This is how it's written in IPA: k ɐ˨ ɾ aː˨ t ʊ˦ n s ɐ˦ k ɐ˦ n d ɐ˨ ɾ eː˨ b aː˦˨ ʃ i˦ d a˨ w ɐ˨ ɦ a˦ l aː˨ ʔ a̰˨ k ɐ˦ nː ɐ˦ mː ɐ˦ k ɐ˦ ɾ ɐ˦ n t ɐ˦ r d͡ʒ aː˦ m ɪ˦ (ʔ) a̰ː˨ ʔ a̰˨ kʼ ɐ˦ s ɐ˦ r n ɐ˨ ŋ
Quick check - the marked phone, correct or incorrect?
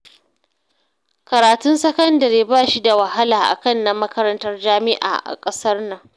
correct